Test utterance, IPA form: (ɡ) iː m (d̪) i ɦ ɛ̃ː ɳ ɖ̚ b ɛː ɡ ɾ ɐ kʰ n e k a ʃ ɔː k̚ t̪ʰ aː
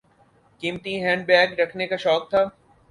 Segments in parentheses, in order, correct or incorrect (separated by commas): incorrect, incorrect